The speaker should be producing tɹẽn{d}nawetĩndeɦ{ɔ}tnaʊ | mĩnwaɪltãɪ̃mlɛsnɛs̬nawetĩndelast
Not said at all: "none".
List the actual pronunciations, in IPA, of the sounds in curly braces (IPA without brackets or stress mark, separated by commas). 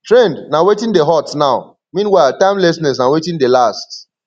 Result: d, ɔ